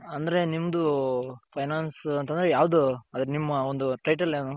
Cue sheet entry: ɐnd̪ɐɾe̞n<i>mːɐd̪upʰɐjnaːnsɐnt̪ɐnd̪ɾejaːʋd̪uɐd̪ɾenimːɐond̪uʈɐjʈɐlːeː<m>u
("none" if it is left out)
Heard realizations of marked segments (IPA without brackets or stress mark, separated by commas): i, n